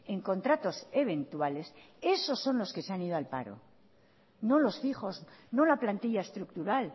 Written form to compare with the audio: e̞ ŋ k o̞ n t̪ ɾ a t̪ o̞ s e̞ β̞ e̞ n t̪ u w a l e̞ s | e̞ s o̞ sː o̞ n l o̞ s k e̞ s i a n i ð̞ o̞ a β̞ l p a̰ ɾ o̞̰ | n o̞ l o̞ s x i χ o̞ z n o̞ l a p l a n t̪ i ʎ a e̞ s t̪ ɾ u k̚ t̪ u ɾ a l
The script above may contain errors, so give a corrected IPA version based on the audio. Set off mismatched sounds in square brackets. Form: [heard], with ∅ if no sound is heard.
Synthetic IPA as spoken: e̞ ŋ k o̞ n t̪ ɾ a t̪ o̞ s e̞ β̞ e̞ n t̪ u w a l e̞ s | e̞ s o̞ sː o̞ n l o̞ s k e̞ s [e] a n i ð̞ o̞ a [∅] l p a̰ ɾ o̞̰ | n o̞ l o̞ s [f] i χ o̞ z n o̞ l a p l a n t̪ i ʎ a e̞ s t̪ ɾ u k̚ t̪ u ɾ a l